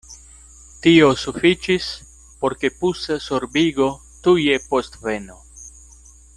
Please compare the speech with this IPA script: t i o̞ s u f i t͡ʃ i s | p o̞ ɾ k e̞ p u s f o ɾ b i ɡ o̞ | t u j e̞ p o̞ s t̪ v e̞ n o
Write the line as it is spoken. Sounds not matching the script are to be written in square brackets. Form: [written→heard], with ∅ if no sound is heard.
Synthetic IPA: t i o̞ s u f i t͡ʃ i s | p o̞ ɾ k e̞ p u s [f→s] o ɾ b i ɡ o̞ | t u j e̞ p o̞ s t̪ v e̞ n o